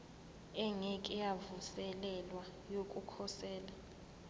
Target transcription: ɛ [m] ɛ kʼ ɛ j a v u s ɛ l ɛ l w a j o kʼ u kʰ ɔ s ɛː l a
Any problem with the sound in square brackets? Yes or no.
yes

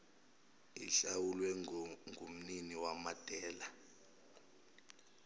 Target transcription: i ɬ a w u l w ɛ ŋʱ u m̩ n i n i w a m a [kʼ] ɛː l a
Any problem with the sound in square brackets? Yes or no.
yes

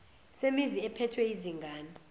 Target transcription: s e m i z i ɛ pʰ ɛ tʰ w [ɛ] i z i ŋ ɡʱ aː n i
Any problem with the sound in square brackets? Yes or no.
no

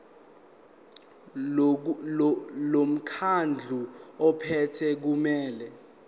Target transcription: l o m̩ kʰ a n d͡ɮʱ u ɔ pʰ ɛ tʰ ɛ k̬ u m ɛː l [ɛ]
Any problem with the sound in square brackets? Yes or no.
no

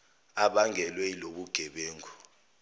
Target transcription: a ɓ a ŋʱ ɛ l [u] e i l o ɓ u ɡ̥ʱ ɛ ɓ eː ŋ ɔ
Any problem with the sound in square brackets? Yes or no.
yes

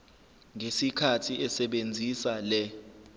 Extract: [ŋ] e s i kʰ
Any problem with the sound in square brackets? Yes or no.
no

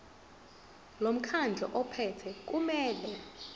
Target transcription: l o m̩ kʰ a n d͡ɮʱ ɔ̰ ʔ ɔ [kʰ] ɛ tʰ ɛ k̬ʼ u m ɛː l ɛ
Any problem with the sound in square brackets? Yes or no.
yes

